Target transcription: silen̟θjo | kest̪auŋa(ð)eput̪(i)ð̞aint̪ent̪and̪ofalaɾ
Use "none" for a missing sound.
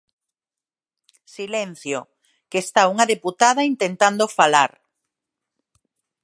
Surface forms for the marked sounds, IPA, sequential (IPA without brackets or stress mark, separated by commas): ð, a